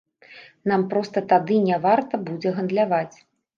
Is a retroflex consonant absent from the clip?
yes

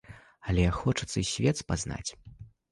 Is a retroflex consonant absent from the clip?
no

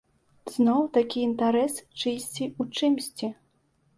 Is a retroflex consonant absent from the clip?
no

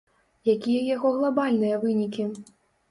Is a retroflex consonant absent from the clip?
yes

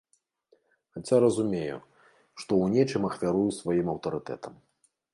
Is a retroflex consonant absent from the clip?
no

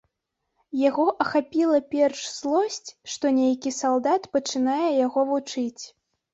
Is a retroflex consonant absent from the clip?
no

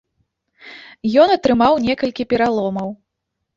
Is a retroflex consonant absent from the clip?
yes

